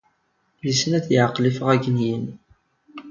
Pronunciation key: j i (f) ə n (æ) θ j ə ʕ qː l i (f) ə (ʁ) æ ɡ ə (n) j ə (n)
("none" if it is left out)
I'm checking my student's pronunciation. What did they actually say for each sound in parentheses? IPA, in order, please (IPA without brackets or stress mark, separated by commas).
s, æ, f, ʁ, n, n